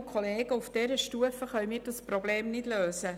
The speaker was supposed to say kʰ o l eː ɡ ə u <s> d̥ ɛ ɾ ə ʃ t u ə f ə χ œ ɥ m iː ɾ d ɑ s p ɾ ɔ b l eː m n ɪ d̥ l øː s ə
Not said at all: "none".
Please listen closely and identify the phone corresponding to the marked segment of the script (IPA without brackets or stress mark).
f